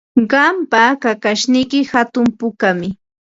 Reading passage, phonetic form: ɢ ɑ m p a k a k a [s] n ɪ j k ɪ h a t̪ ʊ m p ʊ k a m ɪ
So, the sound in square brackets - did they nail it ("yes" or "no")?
no